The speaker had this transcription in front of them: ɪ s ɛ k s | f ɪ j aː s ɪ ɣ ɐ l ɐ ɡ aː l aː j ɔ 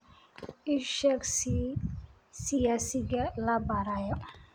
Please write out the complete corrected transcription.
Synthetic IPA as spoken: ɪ ʃ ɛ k s | s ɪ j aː s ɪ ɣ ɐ l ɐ b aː ɾ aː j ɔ